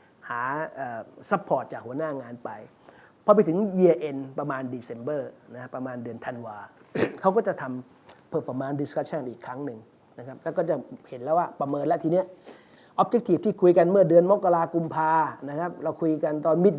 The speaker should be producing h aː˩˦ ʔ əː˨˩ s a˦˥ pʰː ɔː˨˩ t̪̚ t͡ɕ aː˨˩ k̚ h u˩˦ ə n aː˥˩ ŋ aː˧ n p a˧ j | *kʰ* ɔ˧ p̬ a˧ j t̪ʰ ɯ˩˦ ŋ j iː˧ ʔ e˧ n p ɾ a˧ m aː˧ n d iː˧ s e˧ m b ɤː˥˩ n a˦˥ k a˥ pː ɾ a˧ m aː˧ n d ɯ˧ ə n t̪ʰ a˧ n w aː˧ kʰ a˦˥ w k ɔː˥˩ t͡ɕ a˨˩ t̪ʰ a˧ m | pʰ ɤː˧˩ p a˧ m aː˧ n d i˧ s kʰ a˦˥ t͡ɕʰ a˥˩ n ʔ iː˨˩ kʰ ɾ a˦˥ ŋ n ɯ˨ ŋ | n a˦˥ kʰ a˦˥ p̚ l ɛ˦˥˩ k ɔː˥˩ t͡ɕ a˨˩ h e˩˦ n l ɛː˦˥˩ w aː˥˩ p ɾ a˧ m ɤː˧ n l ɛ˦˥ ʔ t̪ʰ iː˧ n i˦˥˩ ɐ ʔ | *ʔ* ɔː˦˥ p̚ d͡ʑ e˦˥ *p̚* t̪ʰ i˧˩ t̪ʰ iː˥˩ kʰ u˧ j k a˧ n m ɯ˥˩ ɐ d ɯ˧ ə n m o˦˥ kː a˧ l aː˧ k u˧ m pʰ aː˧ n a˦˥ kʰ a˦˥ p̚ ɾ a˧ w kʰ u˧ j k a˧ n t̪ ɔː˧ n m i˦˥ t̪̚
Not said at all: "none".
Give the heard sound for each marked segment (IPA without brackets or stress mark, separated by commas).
pʰ, ʔ, k̚